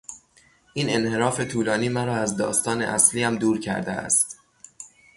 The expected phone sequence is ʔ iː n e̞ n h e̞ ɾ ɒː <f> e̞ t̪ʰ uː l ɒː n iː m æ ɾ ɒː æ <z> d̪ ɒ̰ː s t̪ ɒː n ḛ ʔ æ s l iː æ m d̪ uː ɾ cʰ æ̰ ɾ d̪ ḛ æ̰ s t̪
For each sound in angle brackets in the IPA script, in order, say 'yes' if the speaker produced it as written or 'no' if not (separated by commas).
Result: yes, yes